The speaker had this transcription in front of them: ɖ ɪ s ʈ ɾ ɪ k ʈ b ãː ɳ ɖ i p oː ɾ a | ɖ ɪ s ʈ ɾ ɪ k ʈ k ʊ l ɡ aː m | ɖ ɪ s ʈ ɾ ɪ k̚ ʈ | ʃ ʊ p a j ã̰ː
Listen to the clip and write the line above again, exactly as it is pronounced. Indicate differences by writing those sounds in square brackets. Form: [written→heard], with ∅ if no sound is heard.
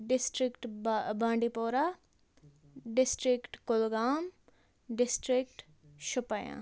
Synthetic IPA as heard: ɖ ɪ s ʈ ɾ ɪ k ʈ b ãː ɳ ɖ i p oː ɾ a | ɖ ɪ s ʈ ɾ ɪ k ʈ k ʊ l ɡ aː m | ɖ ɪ s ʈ ɾ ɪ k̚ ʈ | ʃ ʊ p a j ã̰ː